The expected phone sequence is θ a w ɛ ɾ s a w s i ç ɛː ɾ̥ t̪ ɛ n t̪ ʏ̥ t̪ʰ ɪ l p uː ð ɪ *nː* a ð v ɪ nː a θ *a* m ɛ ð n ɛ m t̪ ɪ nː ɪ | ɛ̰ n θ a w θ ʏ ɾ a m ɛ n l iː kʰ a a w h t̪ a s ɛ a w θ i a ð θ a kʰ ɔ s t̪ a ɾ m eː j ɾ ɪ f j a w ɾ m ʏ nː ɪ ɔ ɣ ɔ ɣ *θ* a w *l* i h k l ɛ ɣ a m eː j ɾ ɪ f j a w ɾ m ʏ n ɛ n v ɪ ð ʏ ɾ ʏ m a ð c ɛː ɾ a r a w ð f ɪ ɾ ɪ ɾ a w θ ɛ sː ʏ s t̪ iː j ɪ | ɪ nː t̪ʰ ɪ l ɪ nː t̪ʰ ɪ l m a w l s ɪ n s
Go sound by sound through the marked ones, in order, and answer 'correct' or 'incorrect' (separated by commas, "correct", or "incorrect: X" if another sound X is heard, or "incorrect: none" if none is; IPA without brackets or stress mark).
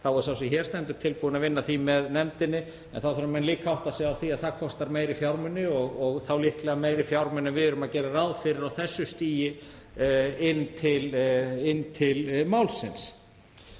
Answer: incorrect: n, incorrect: i, correct, correct